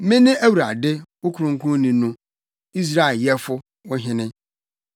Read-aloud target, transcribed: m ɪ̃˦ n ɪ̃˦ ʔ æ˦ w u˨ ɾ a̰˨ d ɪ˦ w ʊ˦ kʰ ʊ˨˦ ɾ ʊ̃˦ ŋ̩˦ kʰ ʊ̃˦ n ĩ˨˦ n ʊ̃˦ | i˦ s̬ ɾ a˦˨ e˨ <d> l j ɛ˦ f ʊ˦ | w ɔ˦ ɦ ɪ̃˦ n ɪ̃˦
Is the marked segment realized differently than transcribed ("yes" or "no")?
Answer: yes